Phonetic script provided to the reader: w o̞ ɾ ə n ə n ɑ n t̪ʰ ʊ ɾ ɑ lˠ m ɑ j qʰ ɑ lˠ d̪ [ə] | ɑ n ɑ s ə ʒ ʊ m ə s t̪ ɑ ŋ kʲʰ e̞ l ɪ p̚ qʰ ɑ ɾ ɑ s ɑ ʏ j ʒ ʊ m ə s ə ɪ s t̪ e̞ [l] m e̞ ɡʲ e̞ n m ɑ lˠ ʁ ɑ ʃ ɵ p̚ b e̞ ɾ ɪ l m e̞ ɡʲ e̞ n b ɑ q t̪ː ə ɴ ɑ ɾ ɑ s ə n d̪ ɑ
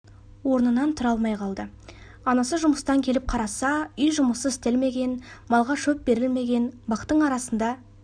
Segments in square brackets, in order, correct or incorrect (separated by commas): correct, correct